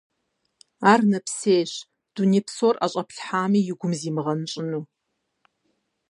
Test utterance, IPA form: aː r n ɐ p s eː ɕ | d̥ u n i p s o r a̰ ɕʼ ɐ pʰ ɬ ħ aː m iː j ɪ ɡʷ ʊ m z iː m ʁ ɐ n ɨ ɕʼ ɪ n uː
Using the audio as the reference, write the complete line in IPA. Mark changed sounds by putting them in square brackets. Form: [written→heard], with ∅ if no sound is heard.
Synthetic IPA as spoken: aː r n ɐ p s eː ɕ | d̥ u n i p s o r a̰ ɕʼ ɐ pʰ ɬ ħ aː m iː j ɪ ɡʷ ʊ m z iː m ʁ ɐ n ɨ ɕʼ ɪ n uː